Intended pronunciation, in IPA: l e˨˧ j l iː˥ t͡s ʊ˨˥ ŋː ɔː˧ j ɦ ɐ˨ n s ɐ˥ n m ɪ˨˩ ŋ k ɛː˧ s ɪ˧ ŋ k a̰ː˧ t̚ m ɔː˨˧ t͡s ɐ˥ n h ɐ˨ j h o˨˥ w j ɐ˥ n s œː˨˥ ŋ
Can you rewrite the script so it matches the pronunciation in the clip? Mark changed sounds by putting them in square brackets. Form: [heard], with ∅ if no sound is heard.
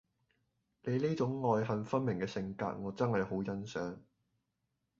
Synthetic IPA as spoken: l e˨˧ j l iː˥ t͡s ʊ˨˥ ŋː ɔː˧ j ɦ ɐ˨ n [f] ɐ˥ n m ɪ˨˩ ŋ k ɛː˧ s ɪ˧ ŋ k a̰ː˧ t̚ [ŋ] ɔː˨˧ t͡s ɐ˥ n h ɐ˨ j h o˨˥ w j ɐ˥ n s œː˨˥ ŋ